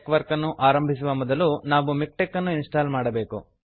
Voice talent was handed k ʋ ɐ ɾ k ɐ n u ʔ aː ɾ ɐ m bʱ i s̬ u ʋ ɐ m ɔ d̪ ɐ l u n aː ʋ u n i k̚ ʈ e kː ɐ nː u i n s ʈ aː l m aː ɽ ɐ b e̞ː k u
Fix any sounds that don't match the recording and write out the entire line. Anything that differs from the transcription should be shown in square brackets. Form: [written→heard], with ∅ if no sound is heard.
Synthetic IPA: k ʋ ɐ ɾ k ɐ [n→nː] u ʔ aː ɾ ɐ m bʱ i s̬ u ʋ ɐ m ɔ d̪ ɐ l u n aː ʋ u [n→m] i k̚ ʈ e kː ɐ nː u i n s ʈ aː l m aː ɽ ɐ b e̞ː k u